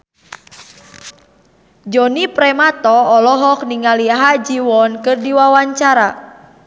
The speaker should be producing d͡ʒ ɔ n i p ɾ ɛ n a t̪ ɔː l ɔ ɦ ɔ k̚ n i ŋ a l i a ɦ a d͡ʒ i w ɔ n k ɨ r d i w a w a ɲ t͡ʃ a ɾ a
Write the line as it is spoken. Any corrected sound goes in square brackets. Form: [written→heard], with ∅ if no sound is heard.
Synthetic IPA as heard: d͡ʒ ɔ n i p ɾ ɛ [n→m] a t̪ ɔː l ɔ ɦ ɔ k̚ n i ŋ a l i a ɦ a d͡ʒ i w ɔ n k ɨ r d i w a w a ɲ t͡ʃ a ɾ a

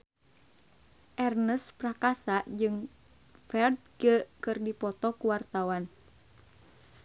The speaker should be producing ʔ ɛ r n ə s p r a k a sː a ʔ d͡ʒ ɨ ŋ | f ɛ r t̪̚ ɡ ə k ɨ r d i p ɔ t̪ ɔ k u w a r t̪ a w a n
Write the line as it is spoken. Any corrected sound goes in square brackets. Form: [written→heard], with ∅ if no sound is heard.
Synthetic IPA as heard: ʔ ɛ r n ə s p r a k a [sː→s] a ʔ d͡ʒ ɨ ŋ | f ɛ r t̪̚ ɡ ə k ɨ r d i p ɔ t̪ ɔ k u w a r t̪ a w a n

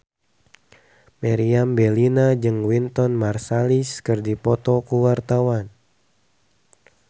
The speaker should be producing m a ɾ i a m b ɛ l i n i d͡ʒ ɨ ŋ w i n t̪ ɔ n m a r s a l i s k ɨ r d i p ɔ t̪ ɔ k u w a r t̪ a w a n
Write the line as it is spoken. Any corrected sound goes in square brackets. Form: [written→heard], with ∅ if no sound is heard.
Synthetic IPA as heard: m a ɾ i a m b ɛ l i n [i→a] d͡ʒ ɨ ŋ w i n t̪ ɔ n m a r s a l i s k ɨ r d i p ɔ t̪ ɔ k u w a r t̪ a w a n

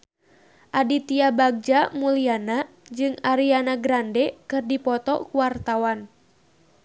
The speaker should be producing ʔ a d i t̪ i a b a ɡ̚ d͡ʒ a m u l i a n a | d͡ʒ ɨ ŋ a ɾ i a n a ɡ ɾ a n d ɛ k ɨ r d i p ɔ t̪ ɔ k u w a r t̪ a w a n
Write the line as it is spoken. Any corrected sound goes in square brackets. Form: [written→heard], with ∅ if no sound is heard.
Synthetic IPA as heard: ʔ a d i t̪ i a b a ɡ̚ d͡ʒ a m u l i a n a | d͡ʒ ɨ ŋ a ɾ i a n a ɡ ɾ a n d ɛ k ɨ r d i p ɔ t̪ ɔ k u w a r t̪ a w a n

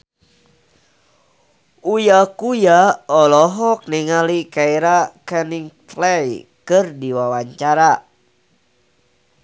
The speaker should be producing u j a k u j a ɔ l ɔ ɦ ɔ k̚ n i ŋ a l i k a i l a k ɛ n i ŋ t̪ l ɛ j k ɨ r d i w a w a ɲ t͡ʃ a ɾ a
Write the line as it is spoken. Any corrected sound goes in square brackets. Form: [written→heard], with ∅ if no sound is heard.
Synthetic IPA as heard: u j a k u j a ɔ l ɔ ɦ ɔ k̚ n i ŋ a l i k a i [l→ɾ] a k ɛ n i ŋ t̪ l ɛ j k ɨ r d i w a w a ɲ t͡ʃ a ɾ a

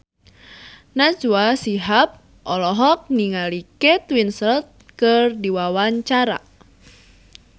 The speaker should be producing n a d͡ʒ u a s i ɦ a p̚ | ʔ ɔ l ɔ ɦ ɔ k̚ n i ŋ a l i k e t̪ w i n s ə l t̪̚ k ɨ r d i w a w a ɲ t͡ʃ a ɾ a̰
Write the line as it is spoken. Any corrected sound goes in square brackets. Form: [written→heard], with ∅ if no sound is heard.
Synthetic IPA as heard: n a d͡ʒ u a s i ɦ a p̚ | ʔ ɔ l ɔ ɦ ɔ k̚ n i ŋ a l i k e t̪ w i n s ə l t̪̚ k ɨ r d i w a w a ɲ t͡ʃ a ɾ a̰

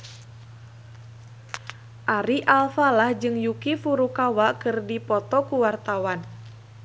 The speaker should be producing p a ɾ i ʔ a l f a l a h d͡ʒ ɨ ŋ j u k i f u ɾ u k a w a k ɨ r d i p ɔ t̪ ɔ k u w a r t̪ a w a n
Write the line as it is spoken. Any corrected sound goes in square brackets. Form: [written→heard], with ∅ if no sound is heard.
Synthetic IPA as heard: [p→ʔ] a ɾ i ʔ a l f a l a h d͡ʒ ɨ ŋ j u k i f u ɾ u k a w a k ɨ r d i p ɔ t̪ ɔ k u w a r t̪ a w a n

